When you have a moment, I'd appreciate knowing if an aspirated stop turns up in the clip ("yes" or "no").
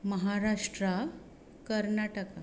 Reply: no